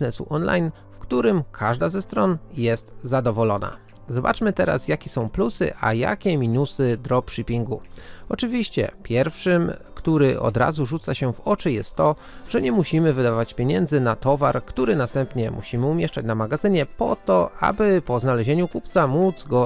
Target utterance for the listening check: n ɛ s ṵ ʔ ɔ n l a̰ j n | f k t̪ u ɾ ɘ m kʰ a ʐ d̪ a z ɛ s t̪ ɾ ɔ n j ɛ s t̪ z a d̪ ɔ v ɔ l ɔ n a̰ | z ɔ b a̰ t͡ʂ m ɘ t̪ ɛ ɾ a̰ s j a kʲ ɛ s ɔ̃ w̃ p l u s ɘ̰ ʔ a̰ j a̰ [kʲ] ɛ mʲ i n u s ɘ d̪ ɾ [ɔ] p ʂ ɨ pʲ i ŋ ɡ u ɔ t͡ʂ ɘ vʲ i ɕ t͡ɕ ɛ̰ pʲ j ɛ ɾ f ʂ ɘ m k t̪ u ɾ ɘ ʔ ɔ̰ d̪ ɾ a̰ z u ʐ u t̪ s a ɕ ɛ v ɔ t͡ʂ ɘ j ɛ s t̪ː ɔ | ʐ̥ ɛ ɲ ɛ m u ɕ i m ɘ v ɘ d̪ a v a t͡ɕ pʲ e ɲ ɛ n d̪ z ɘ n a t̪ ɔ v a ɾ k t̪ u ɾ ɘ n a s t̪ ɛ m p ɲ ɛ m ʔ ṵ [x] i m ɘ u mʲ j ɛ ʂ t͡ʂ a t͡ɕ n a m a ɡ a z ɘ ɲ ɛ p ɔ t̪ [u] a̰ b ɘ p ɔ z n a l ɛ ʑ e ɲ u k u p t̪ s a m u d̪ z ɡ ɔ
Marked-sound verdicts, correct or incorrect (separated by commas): correct, correct, incorrect, incorrect